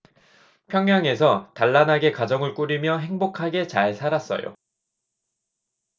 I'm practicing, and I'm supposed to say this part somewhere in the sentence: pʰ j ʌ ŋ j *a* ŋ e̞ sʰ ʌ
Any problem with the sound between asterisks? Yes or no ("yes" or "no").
no